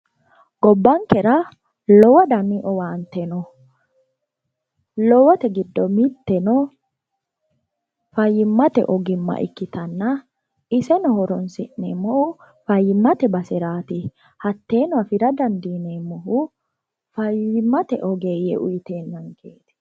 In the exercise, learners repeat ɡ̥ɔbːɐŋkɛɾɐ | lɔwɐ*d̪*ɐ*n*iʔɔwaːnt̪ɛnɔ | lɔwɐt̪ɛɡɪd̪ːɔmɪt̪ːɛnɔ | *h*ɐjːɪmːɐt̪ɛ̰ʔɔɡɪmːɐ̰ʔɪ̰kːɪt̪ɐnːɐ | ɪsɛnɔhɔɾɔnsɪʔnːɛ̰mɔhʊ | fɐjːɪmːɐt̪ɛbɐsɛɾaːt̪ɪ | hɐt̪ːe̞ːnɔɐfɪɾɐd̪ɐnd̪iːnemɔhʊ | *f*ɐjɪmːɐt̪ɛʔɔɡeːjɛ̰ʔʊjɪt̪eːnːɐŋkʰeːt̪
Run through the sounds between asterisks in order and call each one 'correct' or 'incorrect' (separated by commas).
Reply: correct, incorrect, incorrect, correct